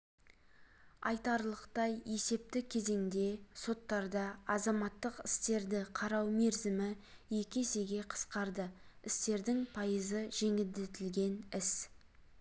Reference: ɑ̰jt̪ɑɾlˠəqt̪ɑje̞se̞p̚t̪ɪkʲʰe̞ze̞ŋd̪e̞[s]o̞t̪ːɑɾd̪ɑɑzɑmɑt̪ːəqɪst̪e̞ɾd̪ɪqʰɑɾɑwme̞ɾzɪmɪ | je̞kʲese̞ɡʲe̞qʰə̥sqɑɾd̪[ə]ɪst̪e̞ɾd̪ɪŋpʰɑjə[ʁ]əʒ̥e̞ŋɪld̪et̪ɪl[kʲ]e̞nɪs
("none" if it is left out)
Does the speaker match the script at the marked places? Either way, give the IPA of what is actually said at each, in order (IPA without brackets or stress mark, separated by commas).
s, ə, z, ɡʲ